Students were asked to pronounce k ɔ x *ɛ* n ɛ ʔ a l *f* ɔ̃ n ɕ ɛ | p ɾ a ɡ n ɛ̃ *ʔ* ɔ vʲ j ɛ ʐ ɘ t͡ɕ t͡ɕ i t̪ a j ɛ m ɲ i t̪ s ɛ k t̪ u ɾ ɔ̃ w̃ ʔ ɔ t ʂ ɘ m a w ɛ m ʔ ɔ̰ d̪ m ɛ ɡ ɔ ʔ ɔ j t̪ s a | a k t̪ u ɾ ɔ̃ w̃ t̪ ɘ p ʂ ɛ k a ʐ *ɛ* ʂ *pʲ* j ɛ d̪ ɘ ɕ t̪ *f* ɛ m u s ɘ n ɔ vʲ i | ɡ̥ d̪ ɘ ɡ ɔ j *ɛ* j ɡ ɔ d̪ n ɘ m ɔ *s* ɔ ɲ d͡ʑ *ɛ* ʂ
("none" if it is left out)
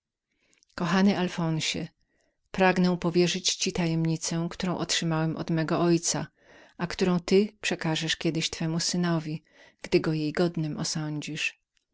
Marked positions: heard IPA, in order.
a, f, p, ɛ, kʲ, f, e, s, i

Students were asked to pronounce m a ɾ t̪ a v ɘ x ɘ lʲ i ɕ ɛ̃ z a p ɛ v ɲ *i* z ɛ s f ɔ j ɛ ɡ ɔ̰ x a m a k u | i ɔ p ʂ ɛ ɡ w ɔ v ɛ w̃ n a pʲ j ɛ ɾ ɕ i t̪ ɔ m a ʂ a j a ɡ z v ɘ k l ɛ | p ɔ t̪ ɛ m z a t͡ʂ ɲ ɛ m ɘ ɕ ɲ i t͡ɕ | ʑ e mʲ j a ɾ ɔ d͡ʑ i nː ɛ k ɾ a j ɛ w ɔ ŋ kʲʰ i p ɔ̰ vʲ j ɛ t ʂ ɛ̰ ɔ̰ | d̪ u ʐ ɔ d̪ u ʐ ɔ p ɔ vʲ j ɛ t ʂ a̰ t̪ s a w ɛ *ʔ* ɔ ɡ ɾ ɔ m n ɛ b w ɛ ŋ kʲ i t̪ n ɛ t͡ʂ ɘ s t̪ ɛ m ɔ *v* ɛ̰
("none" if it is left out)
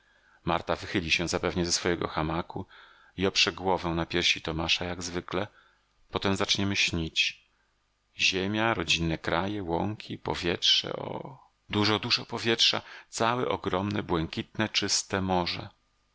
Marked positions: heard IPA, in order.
ɛ, ʔ, ʐ

